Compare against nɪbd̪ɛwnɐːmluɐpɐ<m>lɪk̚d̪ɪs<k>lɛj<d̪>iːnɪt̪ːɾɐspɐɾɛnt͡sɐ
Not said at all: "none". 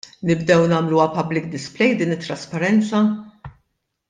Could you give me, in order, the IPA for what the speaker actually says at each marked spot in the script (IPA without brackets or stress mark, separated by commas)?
b, p, d̪